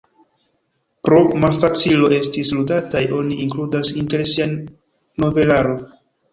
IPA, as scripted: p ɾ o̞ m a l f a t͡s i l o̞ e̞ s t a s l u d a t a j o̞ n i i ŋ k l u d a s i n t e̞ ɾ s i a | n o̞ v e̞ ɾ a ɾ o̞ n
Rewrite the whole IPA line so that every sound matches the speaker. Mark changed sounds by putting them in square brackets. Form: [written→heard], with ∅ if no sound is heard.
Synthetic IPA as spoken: p ɾ o̞ m a l f a t͡s i l o̞ e̞ s t [a→i] s l u d a t a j o̞ n i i ŋ k l u d a s i n t e̞ ɾ s i a | n o̞ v e̞ [ɾ→l] a ɾ o̞ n